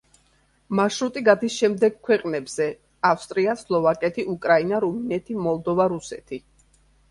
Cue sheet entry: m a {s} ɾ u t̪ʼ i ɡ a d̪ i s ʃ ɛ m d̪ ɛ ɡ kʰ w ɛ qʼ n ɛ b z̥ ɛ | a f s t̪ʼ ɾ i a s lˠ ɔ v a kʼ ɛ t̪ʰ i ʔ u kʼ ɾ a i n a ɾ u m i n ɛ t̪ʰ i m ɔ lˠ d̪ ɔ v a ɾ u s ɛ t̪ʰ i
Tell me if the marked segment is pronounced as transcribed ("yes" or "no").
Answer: no